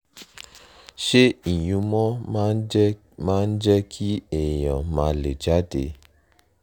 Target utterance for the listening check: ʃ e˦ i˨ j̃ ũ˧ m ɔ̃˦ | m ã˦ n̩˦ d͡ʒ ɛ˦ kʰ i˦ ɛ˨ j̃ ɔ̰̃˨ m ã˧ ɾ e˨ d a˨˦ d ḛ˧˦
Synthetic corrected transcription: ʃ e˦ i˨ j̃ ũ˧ m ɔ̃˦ | m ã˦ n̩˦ d͡ʒ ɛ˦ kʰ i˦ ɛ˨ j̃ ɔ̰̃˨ m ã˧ l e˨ d͡ʒ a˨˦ d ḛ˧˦